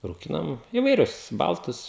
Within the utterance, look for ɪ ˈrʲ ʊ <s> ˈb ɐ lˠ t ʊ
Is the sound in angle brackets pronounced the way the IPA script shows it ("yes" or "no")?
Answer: yes